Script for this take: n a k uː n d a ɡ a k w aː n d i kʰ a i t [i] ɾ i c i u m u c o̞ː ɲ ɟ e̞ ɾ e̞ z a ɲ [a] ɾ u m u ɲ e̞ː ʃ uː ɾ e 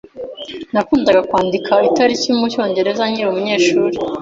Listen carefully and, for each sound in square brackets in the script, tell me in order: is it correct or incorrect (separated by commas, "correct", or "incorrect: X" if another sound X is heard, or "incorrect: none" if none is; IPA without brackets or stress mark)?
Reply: incorrect: a, incorrect: i